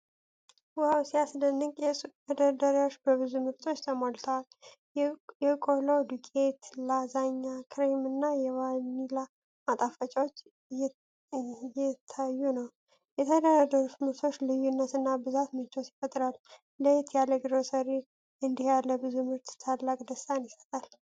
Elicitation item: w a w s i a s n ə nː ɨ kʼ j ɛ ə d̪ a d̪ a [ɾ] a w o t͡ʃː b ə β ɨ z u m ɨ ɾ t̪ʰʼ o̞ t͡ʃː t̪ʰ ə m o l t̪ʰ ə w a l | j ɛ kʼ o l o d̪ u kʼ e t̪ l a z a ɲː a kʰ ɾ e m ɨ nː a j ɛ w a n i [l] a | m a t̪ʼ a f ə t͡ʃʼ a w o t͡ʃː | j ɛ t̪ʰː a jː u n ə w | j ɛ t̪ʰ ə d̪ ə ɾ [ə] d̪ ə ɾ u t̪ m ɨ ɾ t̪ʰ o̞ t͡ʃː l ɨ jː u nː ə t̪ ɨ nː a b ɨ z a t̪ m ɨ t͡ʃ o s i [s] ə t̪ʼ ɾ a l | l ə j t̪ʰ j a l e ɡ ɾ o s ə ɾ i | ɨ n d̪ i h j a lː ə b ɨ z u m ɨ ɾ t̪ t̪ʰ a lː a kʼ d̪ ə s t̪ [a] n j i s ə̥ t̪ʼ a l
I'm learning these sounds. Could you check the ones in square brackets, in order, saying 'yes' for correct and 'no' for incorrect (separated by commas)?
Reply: yes, yes, no, no, yes